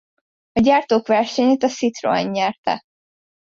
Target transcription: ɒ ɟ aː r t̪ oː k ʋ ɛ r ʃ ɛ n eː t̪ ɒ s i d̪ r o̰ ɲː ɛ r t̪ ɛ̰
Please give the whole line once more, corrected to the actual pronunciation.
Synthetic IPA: ɒ ɟ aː r t̪ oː k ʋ ɛ r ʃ ɛ ɲ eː t̪ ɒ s i t̪ r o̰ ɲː ɛ r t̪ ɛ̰